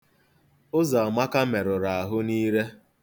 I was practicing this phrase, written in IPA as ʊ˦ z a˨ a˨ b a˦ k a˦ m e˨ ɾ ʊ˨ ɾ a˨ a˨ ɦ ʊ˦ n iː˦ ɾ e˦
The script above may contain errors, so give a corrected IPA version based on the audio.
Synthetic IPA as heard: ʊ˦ z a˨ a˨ m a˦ k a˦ m e˨ ɾ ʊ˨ ɾ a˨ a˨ ɦ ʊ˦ n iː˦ ɾ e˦